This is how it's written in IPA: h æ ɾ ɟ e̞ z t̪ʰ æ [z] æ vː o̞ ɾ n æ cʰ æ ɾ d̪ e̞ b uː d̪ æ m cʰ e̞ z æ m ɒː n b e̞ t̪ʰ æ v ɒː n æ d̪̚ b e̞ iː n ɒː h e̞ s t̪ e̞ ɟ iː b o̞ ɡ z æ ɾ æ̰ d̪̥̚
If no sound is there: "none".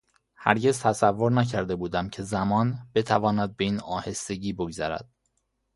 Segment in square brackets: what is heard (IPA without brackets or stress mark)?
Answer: s